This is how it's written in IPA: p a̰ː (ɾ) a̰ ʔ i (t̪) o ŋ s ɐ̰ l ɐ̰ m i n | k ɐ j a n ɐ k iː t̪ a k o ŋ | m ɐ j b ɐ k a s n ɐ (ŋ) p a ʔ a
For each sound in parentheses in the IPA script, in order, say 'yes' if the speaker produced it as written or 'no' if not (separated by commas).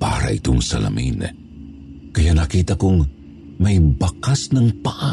yes, yes, yes